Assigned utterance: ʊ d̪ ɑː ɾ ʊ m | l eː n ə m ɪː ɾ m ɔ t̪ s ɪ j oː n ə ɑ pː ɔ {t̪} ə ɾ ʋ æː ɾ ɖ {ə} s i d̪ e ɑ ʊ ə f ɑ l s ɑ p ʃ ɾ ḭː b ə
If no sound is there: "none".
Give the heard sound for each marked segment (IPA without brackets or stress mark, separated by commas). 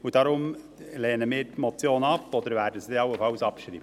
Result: d̪, ə